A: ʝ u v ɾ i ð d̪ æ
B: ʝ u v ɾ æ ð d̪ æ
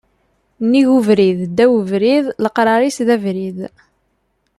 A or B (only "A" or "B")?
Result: A